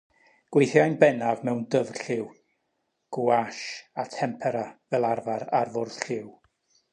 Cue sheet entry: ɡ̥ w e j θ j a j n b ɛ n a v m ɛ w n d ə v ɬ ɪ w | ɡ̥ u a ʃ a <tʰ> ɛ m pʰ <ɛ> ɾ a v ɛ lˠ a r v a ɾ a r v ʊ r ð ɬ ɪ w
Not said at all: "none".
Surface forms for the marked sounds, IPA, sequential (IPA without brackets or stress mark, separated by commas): tʰ, ɛ